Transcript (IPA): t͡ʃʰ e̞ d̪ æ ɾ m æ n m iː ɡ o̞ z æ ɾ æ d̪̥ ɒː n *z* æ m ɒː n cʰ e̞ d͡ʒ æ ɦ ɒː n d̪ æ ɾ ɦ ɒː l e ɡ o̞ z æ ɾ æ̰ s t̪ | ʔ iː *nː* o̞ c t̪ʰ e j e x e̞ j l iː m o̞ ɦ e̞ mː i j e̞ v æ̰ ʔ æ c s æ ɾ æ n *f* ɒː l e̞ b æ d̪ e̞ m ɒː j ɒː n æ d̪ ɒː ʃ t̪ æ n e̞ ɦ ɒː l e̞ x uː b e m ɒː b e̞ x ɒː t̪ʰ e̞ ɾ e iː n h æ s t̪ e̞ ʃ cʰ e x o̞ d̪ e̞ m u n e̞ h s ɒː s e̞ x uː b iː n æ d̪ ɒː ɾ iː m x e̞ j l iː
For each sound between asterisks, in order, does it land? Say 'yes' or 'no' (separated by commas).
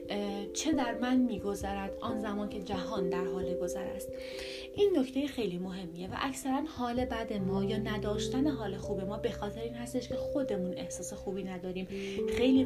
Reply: yes, yes, no